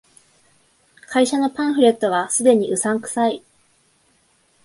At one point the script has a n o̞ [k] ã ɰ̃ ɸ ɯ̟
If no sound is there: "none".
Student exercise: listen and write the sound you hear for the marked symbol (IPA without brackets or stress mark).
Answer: p